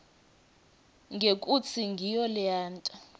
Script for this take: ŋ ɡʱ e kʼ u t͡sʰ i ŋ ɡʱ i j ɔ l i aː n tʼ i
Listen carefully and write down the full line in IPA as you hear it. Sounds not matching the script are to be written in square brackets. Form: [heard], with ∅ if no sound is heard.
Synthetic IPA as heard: ŋ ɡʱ e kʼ u t͡sʰ i ŋ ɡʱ i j ɔ l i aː n tʼ [a]